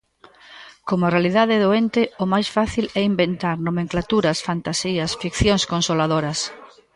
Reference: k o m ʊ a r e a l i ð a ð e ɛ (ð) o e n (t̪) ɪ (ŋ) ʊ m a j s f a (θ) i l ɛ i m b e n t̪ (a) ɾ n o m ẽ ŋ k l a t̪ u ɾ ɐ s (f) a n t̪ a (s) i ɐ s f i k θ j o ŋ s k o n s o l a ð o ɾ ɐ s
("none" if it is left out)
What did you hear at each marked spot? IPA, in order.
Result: ð, t̪, none, θ, a, f, s

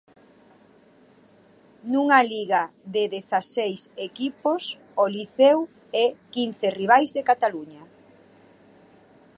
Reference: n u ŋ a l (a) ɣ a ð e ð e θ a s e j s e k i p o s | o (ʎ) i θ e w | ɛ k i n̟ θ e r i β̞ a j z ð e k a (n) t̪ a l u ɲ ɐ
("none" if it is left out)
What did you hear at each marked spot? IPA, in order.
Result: i, l, none

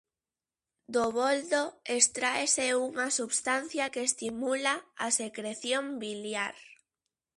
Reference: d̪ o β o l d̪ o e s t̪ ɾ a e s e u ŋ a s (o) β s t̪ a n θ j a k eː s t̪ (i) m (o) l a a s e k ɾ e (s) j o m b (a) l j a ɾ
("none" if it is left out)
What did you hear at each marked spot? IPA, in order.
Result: u, i, u, θ, i

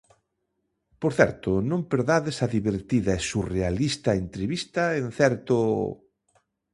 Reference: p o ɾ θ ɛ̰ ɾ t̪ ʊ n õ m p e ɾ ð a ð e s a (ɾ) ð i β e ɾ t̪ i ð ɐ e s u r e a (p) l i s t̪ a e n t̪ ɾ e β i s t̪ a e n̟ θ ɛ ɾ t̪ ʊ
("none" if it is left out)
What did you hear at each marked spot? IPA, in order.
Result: none, none

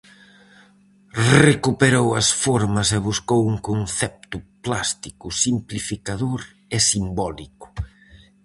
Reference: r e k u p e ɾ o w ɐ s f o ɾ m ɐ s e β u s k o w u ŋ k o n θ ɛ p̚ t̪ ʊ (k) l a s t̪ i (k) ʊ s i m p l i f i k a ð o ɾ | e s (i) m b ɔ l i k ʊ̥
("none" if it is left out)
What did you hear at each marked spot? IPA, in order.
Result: p, k, i

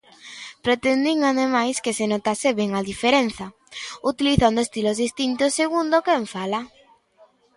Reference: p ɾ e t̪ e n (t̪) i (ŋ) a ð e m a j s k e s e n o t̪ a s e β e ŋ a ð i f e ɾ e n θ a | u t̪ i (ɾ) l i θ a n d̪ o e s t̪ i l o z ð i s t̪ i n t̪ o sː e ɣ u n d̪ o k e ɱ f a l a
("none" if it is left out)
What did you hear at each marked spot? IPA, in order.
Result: d̪, ŋ, none

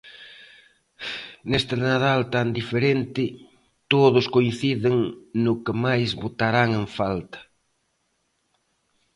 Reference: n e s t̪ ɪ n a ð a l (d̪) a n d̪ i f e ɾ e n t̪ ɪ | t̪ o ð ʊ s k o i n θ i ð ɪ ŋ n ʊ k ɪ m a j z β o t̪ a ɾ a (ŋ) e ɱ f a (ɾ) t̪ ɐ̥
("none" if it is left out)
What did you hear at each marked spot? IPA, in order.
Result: t̪, ŋ, l

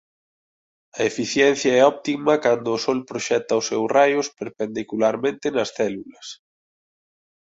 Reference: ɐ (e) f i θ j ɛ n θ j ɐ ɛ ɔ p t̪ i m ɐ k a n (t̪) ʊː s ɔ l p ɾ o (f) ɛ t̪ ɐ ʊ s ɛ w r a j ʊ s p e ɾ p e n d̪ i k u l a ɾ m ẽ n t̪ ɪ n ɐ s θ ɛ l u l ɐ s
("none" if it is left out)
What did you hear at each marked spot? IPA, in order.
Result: e, d̪, ʃ

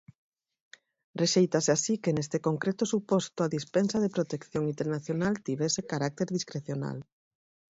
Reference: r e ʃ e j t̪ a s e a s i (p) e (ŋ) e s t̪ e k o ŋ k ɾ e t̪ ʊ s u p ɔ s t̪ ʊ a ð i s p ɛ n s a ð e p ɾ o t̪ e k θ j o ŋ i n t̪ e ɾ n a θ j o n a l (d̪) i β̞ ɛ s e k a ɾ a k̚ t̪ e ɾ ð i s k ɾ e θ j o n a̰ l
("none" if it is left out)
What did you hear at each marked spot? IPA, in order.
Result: k, n, t̪

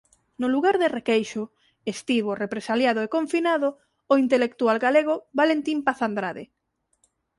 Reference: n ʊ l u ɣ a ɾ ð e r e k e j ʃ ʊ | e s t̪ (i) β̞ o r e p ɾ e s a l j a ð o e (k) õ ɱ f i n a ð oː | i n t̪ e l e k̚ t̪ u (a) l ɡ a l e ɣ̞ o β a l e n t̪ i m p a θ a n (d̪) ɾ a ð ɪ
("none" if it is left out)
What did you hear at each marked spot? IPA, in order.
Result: i, k, a, d̪

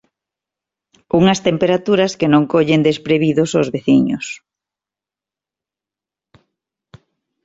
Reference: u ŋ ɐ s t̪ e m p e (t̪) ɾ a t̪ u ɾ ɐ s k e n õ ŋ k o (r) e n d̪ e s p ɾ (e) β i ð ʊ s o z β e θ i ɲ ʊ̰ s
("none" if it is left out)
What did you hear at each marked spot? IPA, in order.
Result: none, ʎ, e

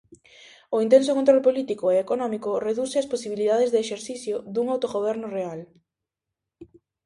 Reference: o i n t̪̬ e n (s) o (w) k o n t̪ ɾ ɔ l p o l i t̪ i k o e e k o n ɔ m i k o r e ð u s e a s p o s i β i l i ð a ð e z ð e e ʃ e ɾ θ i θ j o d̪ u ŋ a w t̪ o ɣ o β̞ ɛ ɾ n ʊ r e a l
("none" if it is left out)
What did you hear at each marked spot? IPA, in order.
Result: s, none

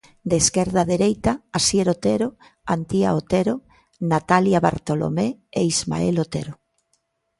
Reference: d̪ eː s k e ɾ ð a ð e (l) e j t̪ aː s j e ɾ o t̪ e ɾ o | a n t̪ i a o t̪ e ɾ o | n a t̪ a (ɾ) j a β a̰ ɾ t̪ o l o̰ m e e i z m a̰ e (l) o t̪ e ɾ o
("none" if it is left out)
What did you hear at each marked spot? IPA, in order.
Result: ɾ, l, l

